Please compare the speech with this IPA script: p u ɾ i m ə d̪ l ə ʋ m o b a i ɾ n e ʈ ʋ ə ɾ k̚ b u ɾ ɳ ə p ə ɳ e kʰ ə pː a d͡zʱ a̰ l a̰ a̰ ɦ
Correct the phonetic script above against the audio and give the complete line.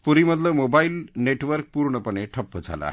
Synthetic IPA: p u ɾ i m ə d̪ l ə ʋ m o b a i l n e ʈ ʋ ə ɾ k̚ p u ɾ ɳ ə p ə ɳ e ʈʰ ə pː ə d͡zʱ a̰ l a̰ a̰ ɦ

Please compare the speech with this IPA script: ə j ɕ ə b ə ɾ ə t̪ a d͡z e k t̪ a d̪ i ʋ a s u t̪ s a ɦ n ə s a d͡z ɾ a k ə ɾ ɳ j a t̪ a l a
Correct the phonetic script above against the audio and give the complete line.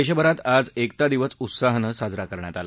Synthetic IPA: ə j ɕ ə b ə ɾ a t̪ a d͡z e k t̪ a d̪ i ʋ ə s u t̪ s a ɦ n ə s a d͡z ɾ a k ə ɾ ɳ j a t̪ a l a

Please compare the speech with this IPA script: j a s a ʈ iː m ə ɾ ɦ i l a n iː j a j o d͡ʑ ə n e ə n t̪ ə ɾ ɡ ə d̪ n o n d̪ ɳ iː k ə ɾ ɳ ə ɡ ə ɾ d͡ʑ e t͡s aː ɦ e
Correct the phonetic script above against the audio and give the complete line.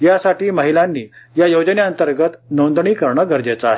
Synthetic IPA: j a s a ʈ iː m ə ɦ i l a nː iː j a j o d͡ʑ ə n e ə n t̪ ə ɾ ɡ ə t̪ n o n d̪ ɳ iː k ə ɾ ɳ ə ɡ ə ɾ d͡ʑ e t͡s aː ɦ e

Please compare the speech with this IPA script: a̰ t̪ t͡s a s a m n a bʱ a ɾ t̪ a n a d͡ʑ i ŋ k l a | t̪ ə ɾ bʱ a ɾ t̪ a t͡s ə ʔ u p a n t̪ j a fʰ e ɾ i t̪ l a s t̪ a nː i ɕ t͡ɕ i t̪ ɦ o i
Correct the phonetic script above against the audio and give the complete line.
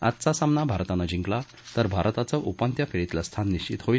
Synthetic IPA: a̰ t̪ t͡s a s a m n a bʱ a ɾ t̪ a n a d͡ʑ i ŋ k l a | t̪ ə ɾ bʱ a ɾ t̪ a t͡s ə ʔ u p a n t̪ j a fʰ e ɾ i t̪ l a s t̪ʰ a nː i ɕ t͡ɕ i t̪ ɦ o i

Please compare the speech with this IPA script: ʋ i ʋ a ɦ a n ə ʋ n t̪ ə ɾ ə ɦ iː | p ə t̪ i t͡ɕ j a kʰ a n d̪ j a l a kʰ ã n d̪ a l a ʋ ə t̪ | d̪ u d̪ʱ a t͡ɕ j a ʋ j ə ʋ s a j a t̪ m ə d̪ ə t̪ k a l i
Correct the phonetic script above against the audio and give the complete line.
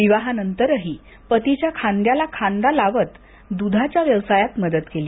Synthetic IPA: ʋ i ʋ a ɦ a n ə n t̪ ə ɾ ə ɦ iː | p ə t̪ i t͡ɕ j a kʰ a n d̪ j a l a kʰ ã n d̪ a l a ʋ ə t̪ | d̪ u d̪ʱ a t͡ɕ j a ʋ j ə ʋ s a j a t̪ m ə d̪ ə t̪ k e l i

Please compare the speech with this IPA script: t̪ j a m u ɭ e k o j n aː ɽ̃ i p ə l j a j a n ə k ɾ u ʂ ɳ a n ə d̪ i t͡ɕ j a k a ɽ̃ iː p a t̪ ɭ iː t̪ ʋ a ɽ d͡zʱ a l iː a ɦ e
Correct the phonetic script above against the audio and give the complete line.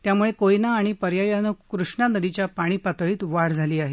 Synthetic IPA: t̪ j a m u ɭ e k o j n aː ɽ̃ i p ə ɾ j a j a n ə k ɾ u ʂ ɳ a n ə d̪ i t͡ɕ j a p a ɽ̃ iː p a t̪ ɭ iː t̪ ʋ a ɽ d͡zʱ a l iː a ɦ e

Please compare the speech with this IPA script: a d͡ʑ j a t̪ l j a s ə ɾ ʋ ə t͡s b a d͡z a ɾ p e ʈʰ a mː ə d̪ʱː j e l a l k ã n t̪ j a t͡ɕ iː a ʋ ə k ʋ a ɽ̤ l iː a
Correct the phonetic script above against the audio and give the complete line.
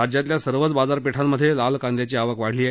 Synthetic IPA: a d͡ʑ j a t̪ l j a s ə ɾ ʋ ə t͡s b a d͡z a ɾ p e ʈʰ a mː ə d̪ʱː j e l a l k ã n d̪ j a t͡ɕ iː a ʋ ə k ʋ a ɽ̤ l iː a

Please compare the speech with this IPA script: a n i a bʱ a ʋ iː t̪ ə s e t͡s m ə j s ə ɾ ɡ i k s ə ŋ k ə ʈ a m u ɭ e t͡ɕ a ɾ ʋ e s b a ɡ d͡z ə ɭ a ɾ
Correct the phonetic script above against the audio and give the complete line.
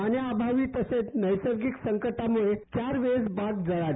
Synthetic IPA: a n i a bʱ a ʋ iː t̪ ə s e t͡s n ə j s ə ɾ ɡ i k s ə ŋ k ə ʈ a m u ɭ e t͡ɕ a ɾ ʋ e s b a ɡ d͡z ə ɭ a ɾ

